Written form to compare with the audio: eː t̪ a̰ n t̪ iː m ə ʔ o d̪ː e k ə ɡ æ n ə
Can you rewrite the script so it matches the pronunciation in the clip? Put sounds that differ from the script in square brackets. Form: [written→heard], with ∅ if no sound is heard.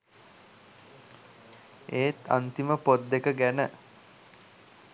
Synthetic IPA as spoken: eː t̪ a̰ n t̪ [iː→i] m ə [ʔ→p] o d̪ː e k ə ɡ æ n ə